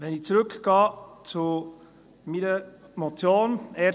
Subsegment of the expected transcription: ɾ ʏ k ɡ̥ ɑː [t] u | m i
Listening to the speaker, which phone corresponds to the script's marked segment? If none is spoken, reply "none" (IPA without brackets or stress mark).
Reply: t͡s